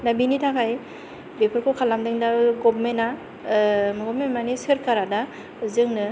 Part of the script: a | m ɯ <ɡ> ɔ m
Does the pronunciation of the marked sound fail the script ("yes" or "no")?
no